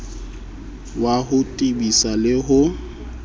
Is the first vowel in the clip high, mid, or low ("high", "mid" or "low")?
low